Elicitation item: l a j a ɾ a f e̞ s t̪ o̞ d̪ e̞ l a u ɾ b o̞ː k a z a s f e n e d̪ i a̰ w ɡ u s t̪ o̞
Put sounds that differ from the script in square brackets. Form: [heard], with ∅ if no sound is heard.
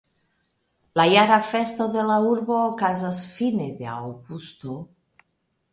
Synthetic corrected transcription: l a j a ɾ a f e̞ s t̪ o̞ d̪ e̞ l a u ɾ b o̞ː k a z a s f [i] n e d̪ [e] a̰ w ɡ u s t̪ o̞